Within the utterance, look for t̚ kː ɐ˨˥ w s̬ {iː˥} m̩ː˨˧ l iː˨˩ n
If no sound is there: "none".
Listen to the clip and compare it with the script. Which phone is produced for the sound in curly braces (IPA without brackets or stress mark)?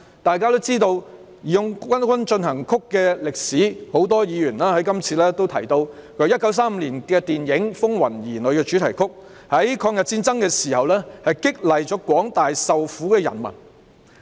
aː˥